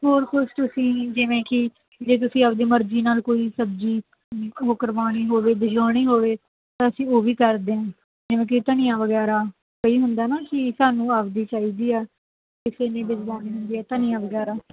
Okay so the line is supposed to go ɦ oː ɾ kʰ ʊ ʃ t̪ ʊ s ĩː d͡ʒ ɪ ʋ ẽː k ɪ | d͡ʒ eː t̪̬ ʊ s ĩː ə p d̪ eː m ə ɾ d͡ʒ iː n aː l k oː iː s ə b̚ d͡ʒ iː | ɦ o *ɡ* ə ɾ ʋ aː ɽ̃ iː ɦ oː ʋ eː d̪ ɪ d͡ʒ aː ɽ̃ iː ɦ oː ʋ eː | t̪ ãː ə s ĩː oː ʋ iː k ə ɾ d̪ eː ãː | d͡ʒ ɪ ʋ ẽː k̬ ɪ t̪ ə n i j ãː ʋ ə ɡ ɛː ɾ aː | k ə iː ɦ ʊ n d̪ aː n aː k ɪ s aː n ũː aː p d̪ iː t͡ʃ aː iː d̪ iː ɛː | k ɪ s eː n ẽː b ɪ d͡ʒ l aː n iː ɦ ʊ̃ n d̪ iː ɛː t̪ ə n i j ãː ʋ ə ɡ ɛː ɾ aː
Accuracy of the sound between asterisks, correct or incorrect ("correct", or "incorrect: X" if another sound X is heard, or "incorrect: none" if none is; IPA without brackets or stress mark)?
incorrect: k